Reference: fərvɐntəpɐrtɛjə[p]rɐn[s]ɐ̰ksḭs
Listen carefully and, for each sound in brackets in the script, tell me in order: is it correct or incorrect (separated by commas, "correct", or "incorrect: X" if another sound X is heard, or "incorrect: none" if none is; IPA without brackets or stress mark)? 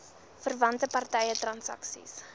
incorrect: t, correct